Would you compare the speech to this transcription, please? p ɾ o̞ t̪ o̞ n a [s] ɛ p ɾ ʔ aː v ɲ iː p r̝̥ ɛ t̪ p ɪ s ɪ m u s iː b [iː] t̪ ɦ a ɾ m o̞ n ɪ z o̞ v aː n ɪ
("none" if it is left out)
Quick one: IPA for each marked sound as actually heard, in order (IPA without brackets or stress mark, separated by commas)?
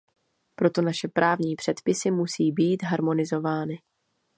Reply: ʃ, iː